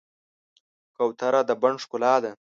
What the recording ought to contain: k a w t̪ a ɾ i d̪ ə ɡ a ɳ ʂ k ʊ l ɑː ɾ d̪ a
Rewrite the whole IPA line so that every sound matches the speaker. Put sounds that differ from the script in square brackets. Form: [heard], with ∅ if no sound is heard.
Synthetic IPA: k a w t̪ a ɾ [a] d̪ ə [b] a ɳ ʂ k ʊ l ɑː [∅] d̪ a